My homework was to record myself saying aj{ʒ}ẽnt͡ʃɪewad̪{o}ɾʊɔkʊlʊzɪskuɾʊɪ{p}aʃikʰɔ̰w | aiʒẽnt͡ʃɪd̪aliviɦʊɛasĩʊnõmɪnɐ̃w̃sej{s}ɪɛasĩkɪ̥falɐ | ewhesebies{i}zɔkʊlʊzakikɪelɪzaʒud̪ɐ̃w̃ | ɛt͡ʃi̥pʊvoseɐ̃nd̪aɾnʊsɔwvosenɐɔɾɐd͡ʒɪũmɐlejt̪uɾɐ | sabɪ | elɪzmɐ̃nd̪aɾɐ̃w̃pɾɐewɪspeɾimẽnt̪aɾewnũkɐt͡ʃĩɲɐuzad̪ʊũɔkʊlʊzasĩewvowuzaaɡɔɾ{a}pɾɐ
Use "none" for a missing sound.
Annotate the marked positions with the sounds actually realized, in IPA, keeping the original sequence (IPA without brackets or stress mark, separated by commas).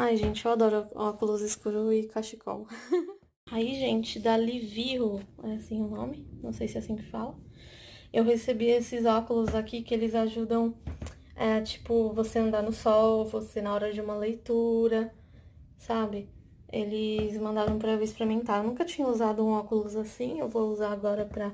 ʒ, ɔ, k, s, ɪ, ɐ